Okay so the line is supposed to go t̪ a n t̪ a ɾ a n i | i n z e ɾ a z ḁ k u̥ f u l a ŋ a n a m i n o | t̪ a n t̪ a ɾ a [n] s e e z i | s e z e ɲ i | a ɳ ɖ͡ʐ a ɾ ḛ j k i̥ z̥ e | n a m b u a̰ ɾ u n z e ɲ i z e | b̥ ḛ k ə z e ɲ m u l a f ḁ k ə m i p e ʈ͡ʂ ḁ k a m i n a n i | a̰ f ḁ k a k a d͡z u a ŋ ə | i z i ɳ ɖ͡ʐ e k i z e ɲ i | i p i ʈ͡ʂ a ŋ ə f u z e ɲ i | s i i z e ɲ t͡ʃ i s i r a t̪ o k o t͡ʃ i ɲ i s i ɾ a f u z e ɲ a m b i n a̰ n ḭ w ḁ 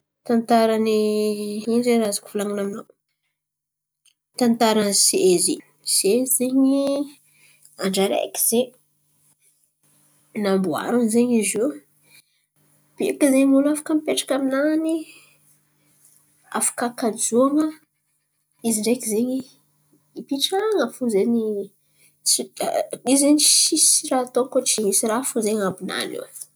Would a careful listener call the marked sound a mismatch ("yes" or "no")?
no